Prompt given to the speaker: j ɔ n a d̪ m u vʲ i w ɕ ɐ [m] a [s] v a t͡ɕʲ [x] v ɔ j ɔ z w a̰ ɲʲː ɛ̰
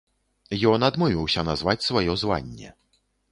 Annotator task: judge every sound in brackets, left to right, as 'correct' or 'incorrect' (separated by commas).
incorrect, incorrect, incorrect